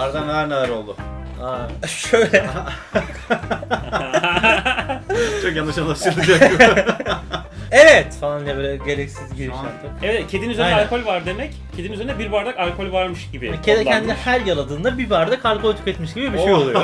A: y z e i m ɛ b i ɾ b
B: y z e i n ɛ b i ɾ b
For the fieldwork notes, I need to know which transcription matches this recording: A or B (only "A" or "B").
B